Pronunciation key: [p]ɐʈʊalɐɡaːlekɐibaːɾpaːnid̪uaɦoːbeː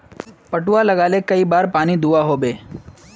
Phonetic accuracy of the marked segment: correct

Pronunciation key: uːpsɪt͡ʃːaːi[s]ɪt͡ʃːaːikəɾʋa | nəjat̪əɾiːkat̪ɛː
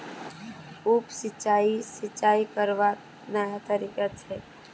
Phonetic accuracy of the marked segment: correct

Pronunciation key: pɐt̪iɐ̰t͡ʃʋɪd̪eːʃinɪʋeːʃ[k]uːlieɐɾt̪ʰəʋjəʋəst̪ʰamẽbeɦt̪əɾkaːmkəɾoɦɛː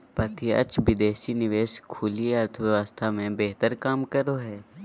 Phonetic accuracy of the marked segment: incorrect: kʰ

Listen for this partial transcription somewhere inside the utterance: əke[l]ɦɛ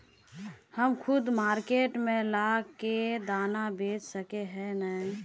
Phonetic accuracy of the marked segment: incorrect: none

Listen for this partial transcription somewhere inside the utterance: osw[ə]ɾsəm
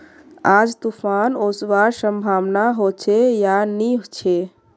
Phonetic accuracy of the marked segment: incorrect: a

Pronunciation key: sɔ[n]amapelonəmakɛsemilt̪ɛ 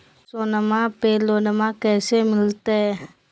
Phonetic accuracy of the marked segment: correct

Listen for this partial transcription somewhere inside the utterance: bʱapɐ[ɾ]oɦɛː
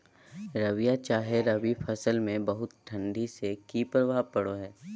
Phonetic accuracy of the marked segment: incorrect: ɽ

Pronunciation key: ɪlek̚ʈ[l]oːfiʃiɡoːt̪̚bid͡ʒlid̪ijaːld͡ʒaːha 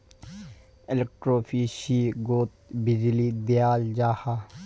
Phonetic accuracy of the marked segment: incorrect: ɾ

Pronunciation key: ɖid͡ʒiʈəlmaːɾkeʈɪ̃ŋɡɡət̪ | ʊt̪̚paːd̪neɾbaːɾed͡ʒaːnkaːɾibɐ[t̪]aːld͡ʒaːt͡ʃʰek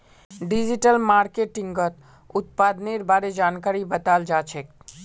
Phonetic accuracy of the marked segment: correct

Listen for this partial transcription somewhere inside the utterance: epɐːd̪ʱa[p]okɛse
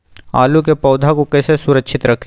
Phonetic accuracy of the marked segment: incorrect: k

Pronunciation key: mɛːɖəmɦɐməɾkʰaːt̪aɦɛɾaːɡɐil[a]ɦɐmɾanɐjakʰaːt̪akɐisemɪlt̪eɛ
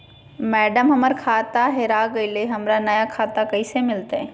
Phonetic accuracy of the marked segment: incorrect: e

